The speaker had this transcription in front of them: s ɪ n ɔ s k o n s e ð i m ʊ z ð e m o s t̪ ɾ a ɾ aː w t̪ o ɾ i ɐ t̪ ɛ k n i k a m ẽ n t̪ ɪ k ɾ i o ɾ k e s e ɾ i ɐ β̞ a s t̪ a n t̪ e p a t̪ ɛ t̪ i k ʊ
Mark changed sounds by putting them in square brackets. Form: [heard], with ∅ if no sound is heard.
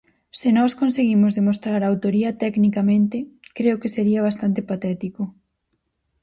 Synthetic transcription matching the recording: s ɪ n ɔ s k o n s e [ɣ] i m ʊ z ð e m o s t̪ ɾ a ɾ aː w t̪ o ɾ i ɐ t̪ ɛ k n i k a m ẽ n t̪ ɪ k ɾ [e] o [∅] k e s e ɾ i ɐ β̞ a s t̪ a n t̪ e p a t̪ ɛ t̪ i k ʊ